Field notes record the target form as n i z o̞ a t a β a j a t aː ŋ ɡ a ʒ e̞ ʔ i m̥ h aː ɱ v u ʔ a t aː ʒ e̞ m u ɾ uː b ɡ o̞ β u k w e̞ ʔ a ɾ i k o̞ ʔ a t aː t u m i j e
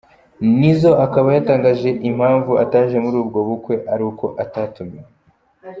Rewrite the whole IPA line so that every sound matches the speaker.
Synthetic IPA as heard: n i z o̞ a k a β a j a t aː ŋ ɡ a ʒ e̞ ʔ i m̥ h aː ɱ v u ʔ a t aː ʒ e̞ m u ɾ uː b ɡ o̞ β u k w e̞ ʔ a ɾ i k o̞ ʔ a t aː t u m i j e

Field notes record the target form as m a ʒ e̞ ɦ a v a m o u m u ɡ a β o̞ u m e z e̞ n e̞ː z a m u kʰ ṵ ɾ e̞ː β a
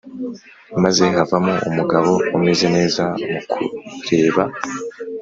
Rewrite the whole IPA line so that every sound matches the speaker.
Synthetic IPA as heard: m a z e̞ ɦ a v a m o u m u ɡ a β o̞ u m e z e̞ n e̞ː z a m u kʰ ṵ ɾ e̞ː β a

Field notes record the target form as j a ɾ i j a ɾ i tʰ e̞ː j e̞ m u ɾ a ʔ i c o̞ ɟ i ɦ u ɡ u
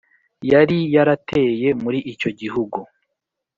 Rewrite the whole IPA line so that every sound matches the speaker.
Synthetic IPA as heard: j a ɾ i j a ɾ a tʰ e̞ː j e̞ m u ɾ i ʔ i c o̞ ɟ i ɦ u ɡ u

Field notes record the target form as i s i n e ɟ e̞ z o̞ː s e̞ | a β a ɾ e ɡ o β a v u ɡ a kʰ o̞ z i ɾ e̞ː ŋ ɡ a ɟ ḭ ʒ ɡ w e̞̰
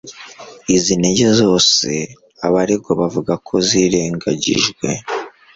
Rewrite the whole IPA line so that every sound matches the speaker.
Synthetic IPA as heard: i z i n e ɟ e̞ z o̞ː s e̞ | a β a ɾ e ɡ o β a v u ɡ a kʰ o̞ z i ɾ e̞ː ŋ ɡ a ɟ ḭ ʒ ɡ w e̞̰

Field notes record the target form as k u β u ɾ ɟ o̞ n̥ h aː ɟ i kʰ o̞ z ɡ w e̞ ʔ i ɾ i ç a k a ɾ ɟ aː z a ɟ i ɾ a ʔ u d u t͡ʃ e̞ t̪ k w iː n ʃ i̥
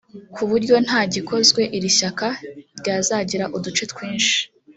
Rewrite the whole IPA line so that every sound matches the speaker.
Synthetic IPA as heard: k u β u ɾ ɟ o̞ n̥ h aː ɟ i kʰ o̞ z ɡ w e̞ ʔ i ɾ i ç a k a ɾ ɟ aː z a ɟ i ɾ a ʔ u d u t͡ʃ e̞ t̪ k w iː n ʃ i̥

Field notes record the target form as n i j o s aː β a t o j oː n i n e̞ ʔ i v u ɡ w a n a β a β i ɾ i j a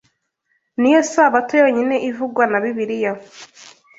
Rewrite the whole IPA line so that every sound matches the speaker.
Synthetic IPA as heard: n i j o s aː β a t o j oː ɲ i n e̞ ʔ i v u ɡ w a n a β i β i ɾ i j a

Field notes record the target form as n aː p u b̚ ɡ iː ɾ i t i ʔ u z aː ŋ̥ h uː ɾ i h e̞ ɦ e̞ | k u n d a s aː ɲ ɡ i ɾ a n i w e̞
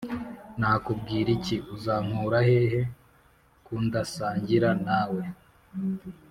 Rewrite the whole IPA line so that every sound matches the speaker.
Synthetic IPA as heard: n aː k u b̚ ɡ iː ɾ i c i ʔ u z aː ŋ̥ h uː ɾ a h e̞ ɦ e̞ | k u n d a s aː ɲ ɟ i ɾ a n a w e̞

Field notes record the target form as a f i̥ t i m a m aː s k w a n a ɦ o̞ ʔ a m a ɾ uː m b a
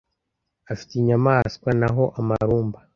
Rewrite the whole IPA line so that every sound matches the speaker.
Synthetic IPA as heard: a f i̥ t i ɲ a m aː s k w a n a ɦ o̞ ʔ a m a ɾ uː m b a

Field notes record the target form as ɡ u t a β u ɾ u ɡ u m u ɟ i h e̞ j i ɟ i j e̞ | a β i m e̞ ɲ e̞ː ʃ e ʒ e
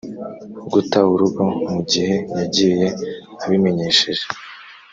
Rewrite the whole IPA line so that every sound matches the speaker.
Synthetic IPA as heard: ɡ u t a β u ɾ u ɡ o m u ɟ i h e̞ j a ɟ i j e̞ | a β i m e̞ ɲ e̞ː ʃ e ʒ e

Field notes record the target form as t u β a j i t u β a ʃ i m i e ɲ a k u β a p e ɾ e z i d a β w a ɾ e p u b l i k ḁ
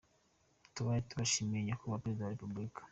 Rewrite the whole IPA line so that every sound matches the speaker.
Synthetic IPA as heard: t u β a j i t u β a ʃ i m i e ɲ a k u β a p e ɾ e z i d a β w a ɾ e p u b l i k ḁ

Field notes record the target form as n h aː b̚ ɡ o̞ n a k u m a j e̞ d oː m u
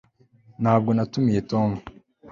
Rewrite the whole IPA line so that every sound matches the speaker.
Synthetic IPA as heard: n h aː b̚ ɡ o̞ n a t u m i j e̞ t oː m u

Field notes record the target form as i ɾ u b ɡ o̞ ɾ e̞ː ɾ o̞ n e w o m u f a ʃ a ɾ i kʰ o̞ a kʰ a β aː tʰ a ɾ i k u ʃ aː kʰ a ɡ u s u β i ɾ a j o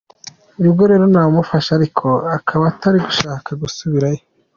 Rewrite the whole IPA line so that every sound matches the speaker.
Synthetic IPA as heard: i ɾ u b ɡ o̞ ɾ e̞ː ɾ o̞ n a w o m u f a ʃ a ɾ i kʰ o̞ a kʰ a β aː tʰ a ɾ i ɡ u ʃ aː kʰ a ɡ u s u β i ɾ a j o

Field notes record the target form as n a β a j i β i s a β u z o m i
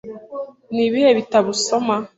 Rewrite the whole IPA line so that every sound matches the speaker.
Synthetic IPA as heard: n i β i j e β i t a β u s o m a

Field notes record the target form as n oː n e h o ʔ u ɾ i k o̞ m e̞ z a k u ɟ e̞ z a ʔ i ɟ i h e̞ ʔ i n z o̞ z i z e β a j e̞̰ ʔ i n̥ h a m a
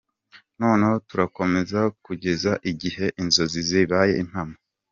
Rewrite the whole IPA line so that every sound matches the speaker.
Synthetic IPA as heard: n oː n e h o t u ɾ a k o̞ m e̞ z a k u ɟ e̞ z a ʔ i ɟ i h e̞ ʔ i n z o̞ z i z i β a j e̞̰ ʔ i n̥ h a m a

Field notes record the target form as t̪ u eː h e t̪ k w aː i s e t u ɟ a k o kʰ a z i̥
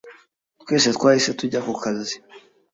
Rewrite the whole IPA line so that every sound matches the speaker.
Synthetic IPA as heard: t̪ w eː s e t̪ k w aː i s e t u ɟ a k u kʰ a z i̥

